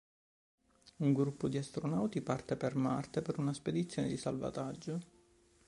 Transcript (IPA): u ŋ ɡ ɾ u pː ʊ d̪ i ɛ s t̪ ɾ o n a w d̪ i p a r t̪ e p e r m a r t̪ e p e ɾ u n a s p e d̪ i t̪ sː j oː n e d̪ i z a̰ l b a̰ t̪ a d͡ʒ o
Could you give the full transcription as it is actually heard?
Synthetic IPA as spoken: u ŋ ɡ ɾ u pː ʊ d̪ i a s t̪ ɾ o n a w t̪ i p a r t̪ e p e r m a r t̪ e p e ɾ u n a s p e d̪ i t̪ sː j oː n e d̪ i s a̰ l v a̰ t̪ a d͡ʒː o